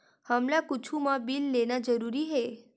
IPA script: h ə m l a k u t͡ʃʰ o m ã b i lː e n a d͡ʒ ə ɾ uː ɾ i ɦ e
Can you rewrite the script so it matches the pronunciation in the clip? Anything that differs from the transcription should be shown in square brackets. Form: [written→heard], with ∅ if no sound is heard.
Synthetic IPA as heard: h ə m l a k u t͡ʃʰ [o→u] m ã b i lː e n a d͡ʒ ə ɾ [uː→u] ɾ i ɦ e